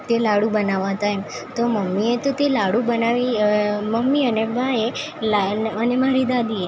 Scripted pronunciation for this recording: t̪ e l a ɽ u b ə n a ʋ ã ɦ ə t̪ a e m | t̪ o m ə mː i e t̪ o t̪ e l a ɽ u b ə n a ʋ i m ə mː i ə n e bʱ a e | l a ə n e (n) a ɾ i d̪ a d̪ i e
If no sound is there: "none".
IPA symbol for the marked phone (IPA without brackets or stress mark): m